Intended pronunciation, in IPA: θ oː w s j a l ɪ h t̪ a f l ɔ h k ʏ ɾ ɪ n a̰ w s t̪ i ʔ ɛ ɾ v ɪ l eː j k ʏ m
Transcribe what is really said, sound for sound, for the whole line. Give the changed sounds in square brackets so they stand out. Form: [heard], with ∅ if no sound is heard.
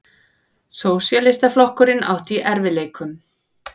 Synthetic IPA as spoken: [s] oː w s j a l ɪ [s] t̪ a f l ɔ h k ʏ ɾ ɪ n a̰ w [h] t̪ i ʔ ɛ ɾ v ɪ l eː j k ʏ m